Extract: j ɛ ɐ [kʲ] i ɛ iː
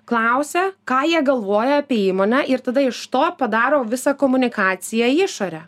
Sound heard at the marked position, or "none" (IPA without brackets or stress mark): pʲ